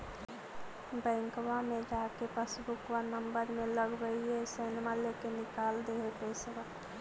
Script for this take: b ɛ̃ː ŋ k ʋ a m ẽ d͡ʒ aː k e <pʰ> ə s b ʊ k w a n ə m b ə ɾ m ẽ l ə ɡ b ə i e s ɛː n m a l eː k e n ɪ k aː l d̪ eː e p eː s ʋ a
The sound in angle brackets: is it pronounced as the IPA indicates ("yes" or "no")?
no